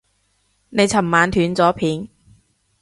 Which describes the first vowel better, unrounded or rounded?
unrounded